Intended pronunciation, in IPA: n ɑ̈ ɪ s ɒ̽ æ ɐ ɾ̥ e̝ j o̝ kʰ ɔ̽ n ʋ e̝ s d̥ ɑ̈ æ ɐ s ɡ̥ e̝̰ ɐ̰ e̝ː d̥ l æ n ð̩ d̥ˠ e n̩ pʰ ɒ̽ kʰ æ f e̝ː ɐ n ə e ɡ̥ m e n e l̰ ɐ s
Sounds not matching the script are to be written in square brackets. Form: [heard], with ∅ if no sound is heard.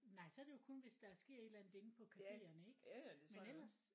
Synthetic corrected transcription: n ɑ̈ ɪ s ɒ̽ æ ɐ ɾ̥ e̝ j o̝ kʰ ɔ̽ n ʋ e̝ s d̥ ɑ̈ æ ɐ s ɡ̥ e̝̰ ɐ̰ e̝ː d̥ l æ n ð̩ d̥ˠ e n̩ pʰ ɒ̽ kʰ æ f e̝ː ɐ n ə e ɡ̥ m e n e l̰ ɐ s